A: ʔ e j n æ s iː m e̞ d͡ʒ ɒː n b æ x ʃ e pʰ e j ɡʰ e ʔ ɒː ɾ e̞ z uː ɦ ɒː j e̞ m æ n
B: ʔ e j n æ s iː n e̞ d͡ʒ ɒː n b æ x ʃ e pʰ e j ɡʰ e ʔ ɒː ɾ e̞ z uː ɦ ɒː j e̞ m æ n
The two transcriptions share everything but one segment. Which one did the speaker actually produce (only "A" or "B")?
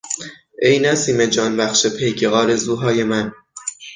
A